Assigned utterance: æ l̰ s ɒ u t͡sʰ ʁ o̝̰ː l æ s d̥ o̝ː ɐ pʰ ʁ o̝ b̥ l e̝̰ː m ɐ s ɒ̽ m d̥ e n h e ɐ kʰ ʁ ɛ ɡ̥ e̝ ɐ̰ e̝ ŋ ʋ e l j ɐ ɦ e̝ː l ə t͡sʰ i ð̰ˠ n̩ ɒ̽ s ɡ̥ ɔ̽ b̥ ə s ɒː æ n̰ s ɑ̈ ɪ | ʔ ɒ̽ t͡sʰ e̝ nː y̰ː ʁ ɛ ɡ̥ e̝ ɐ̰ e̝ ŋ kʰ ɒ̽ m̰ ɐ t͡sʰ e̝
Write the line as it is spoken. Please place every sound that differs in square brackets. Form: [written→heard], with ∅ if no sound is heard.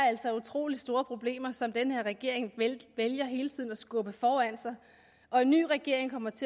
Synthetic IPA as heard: æ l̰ s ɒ u t͡sʰ ʁ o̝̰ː l [æ→i] s d̥ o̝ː ɐ pʰ ʁ o̝ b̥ l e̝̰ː m ɐ s ɒ̽ m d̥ e n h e ɐ [kʰ→∅] ʁ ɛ ɡ̥ e̝ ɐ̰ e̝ ŋ ʋ e l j ɐ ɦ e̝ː l ə t͡sʰ i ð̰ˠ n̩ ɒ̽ s ɡ̥ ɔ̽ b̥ ə [s→f] ɒː æ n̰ s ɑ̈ ɪ | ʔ ɒ̽ [t͡sʰ→∅] e̝ nː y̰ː ʁ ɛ ɡ̥ e̝ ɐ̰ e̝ ŋ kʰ ɒ̽ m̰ ɐ t͡sʰ e̝